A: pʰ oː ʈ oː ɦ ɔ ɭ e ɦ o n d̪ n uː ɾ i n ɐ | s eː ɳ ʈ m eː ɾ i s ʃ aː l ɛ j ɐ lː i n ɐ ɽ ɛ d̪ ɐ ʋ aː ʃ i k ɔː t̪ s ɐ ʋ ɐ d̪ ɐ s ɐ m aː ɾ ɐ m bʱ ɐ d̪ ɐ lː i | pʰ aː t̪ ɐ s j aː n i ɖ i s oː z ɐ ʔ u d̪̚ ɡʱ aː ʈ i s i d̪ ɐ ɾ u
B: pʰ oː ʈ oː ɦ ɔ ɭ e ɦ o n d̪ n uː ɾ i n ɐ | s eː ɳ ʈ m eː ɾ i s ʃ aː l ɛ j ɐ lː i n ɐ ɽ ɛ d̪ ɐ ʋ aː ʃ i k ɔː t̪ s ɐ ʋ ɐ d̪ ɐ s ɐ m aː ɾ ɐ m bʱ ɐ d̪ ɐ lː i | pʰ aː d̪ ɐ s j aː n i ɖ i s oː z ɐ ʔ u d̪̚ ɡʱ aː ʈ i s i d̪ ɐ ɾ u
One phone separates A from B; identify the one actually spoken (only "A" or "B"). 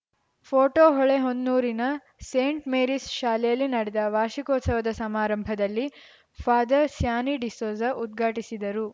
B